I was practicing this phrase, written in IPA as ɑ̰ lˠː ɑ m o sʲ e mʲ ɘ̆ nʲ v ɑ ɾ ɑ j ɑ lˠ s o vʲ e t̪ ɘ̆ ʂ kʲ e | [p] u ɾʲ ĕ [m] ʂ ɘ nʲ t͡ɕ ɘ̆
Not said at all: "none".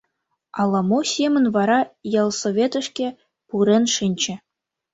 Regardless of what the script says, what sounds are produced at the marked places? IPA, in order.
p, n

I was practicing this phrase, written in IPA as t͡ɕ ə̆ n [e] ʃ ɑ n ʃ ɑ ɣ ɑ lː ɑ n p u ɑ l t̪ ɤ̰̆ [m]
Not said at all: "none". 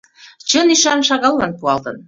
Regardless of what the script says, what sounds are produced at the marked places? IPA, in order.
i, n

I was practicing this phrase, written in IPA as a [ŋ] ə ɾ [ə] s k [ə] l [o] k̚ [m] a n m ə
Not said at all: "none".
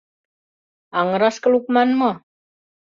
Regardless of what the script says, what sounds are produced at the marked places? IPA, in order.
ŋ, a, ə, u, m

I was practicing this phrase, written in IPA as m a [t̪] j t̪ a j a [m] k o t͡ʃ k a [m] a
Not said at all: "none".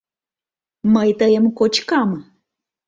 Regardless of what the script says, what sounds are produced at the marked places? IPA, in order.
none, m, m

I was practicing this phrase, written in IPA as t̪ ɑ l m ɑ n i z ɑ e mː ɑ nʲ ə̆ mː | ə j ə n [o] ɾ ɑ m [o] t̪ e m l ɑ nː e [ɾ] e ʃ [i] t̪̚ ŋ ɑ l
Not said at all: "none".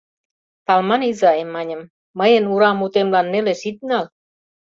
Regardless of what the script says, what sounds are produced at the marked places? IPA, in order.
u, u, l, i

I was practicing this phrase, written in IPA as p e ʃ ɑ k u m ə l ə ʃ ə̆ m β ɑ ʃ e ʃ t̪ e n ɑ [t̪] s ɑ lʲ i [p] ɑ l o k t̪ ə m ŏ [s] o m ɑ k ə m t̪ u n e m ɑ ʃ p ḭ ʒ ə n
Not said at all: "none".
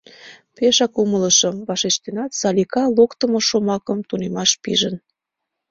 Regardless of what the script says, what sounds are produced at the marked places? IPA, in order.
t̪, k, ʃ

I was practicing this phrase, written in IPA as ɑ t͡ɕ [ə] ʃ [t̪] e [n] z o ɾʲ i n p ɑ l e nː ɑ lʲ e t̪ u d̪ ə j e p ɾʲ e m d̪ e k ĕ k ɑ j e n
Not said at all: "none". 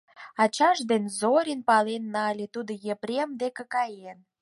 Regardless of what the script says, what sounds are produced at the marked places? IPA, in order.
ɑ, d̪, n

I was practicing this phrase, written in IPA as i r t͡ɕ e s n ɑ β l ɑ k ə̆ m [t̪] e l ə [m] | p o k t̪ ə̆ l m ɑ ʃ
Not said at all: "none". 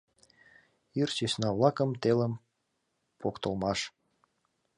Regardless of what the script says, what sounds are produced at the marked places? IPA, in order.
t̪, m

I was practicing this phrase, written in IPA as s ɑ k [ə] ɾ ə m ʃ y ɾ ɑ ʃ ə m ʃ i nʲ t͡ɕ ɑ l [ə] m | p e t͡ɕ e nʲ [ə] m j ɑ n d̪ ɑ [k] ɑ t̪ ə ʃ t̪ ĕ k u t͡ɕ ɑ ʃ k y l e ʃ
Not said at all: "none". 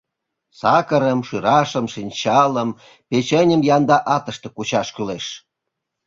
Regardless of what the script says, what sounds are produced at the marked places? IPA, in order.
ə, ə, ə, ʔ

